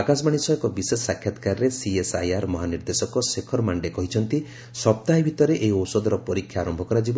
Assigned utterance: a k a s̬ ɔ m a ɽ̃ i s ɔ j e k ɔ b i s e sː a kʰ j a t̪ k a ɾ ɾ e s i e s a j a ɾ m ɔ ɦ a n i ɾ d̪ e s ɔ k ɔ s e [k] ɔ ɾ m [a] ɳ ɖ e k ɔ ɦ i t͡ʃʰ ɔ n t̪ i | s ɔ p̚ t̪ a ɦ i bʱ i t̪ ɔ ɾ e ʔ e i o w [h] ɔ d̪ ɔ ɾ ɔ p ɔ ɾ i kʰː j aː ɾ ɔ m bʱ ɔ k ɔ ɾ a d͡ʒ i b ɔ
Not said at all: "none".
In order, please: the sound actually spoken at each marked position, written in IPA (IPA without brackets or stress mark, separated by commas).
kʰ, a, s